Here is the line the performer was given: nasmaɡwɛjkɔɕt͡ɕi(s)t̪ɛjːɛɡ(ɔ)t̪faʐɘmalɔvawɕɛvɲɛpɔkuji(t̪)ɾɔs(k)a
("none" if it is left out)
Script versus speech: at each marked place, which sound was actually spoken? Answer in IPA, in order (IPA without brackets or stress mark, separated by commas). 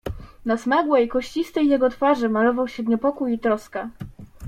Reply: s, ɔ, t̪, k